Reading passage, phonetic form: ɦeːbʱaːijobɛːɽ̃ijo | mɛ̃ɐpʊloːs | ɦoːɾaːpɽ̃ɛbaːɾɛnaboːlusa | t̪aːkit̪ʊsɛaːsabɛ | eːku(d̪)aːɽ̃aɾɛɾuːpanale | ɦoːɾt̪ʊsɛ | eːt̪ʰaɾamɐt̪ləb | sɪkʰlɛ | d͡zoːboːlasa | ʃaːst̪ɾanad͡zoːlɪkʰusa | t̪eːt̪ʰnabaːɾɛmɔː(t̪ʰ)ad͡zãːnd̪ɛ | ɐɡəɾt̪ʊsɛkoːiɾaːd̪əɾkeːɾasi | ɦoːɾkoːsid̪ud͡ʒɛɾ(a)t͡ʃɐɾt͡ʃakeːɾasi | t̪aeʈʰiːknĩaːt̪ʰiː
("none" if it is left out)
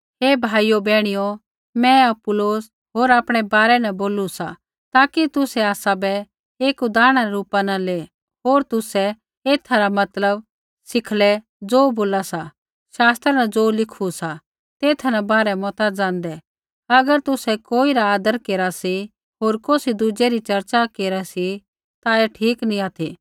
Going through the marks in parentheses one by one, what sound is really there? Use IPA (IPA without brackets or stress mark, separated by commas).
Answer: d̪, t̪, i